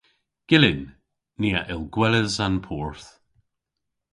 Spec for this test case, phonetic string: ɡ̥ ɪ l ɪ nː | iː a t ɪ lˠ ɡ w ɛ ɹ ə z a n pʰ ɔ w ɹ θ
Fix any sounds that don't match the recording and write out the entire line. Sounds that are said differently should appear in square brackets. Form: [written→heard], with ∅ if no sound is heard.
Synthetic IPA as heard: ɡ̥ ɪ l ɪ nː | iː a [t→ʔ] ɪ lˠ ɡ w ɛ [ɹ→l] ə z a n pʰ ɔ [w→∅] ɹ θ